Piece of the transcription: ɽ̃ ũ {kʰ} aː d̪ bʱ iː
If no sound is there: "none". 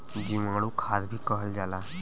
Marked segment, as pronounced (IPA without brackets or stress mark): kʰ